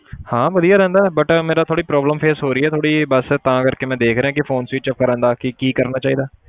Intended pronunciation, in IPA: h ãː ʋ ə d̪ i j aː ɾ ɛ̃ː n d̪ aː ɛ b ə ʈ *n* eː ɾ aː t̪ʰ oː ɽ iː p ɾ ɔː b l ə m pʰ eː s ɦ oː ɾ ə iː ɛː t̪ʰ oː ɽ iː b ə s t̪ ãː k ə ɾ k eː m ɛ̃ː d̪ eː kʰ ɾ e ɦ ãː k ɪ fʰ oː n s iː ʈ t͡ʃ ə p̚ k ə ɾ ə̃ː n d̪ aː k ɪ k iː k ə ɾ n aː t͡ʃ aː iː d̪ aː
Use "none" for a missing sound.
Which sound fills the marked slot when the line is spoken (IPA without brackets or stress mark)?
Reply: m